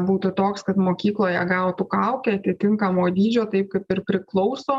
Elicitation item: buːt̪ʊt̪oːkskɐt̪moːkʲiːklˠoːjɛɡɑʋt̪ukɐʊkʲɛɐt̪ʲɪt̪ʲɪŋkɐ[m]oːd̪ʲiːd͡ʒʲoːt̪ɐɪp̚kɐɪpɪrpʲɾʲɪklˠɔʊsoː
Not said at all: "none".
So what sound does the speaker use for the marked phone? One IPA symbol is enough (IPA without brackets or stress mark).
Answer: m